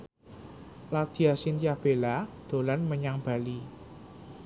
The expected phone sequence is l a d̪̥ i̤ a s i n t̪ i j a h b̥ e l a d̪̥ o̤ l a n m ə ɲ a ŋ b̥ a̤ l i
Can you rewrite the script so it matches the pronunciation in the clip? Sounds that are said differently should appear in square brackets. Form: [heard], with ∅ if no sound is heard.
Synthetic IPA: l a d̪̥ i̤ a s i n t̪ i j a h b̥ e l a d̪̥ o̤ l a n m ə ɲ a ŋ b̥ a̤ l i